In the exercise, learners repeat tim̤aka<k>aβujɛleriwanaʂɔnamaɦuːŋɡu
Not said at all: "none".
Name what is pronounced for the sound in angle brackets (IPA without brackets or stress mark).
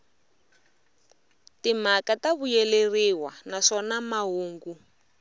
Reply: t